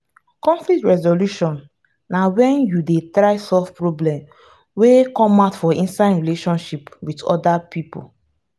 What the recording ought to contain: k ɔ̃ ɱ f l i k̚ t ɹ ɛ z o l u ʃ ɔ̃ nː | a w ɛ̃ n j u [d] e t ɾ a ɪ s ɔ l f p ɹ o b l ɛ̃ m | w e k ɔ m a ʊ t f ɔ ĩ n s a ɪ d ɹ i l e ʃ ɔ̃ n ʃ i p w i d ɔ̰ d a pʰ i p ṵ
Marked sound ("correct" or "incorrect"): correct